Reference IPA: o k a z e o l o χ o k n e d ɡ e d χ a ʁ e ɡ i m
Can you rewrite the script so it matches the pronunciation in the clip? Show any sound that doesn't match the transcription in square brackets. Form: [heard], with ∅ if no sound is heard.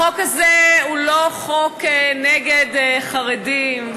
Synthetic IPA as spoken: o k a z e [u] l o χ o k n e [∅] ɡ e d χ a ʁ e [d] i m